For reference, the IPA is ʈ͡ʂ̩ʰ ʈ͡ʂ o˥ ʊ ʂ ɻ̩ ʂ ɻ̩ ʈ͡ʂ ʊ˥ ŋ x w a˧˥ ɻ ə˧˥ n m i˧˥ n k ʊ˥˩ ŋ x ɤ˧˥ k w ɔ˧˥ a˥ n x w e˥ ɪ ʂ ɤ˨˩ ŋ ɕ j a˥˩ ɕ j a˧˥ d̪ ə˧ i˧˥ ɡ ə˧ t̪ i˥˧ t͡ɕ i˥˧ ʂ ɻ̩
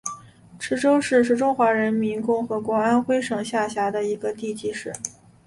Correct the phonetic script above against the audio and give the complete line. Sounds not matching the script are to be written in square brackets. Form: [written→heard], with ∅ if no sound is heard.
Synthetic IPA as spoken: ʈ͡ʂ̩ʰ ʈ͡ʂ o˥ ʊ ʂ ɻ̩ ʂ ɻ̩ ʈ͡ʂ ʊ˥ ŋ x w a˧˥ ɻ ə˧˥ n m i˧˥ n k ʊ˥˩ ŋ x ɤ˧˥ k w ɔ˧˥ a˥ n x w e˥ ɪ ʂ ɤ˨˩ ŋ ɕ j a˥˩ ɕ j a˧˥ d̪ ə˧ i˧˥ ɡ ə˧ t̪ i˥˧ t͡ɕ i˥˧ ʂ ɻ̩